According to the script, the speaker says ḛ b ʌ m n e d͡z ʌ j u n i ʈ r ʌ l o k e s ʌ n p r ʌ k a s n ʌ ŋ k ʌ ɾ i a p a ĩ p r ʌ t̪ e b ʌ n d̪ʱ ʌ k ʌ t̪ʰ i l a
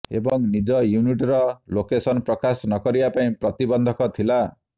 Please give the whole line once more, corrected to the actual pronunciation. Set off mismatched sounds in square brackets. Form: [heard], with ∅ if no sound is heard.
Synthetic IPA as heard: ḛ b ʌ [ŋ] n [i] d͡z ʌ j u n i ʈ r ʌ l o k e s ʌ n p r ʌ k a s n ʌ [∅] k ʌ ɾ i a p a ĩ p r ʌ t̪ [i] b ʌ n d̪ʱ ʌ k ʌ t̪ʰ i l a

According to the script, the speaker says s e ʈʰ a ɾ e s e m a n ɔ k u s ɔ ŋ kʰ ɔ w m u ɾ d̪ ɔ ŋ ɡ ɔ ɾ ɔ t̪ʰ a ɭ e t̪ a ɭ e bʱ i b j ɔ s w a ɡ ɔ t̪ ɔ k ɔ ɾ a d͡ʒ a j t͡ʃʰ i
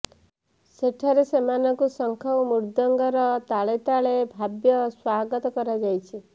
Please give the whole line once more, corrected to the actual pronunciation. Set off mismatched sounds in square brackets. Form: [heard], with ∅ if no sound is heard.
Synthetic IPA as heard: s e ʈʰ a ɾ e s e m a n ɔ k u s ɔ ŋ kʰ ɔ w m u ɾ d̪ ɔ ŋ ɡ ɔ ɾ ɔ [t̪] a ɭ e t̪ a ɭ e bʱ [a] b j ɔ s w a ɡ ɔ t̪ ɔ k ɔ ɾ a d͡ʒ a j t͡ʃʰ i

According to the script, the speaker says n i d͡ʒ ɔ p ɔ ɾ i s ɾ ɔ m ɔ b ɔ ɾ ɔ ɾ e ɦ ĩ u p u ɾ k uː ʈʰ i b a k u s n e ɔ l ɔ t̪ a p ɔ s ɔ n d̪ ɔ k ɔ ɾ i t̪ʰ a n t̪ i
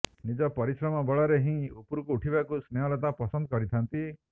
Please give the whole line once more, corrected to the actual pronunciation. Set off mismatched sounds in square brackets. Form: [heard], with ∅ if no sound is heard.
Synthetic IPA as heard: n i d͡ʒ ɔ p ɔ ɾ i s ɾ ɔ m ɔ b ɔ [ɭ] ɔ ɾ e ɦ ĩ u p u ɾ k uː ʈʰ i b a k u s n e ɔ l ɔ t̪ a p ɔ s ɔ n d̪ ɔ k ɔ ɾ i t̪ʰ a n t̪ i

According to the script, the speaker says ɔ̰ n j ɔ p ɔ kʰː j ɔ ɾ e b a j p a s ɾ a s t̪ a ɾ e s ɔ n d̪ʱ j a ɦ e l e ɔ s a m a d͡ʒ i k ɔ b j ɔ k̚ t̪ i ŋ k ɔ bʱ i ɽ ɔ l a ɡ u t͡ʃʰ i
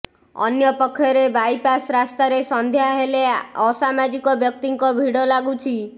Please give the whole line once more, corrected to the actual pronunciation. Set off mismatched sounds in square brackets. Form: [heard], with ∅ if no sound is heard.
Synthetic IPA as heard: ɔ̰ n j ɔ p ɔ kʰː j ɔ ɾ e b a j p a s ɾ a s t̪ a ɾ e s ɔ n d̪ʱ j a ɦ e l e ɔ s a m a d͡ʒ i k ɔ b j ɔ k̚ t̪ i ŋ k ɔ bʱ i ɽ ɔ l a ɡ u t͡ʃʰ i

